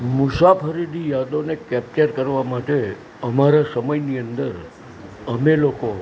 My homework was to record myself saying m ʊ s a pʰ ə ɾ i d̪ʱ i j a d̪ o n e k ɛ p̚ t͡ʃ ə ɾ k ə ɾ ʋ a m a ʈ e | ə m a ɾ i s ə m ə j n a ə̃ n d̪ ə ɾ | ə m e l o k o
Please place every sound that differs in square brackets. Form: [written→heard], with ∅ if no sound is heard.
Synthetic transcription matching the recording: m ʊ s a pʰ ə ɾ i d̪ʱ i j a d̪ o n e k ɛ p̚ t͡ʃ ə ɾ k ə ɾ ʋ a m a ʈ e | ə m a ɾ [i→a] s ə m ə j n [a→i] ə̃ n d̪ ə ɾ | ə m e l o k o